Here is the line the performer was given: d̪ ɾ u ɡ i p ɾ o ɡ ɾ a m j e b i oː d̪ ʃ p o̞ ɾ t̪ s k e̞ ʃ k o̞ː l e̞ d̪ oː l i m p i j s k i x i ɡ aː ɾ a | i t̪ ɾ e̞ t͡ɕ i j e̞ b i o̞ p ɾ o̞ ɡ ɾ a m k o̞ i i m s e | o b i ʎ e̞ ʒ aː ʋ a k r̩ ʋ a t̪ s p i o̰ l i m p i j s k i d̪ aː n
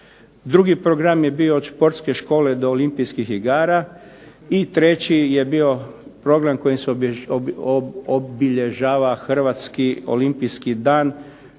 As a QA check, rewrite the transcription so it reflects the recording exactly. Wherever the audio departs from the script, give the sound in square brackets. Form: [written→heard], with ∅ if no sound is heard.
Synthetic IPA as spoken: d̪ ɾ u ɡ i p ɾ o ɡ ɾ a m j e b i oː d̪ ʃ p o̞ ɾ t̪ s k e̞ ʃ k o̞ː l e̞ d̪ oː l i m p i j s k i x i ɡ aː ɾ a | i t̪ ɾ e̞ t͡ɕ i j e̞ b i o̞ p ɾ o̞ ɡ ɾ a m k o̞ [i→j] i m s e | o b i ʎ e̞ ʒ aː ʋ a [k→x] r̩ ʋ a t̪ s [p→k] i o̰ l i m p i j s k i d̪ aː n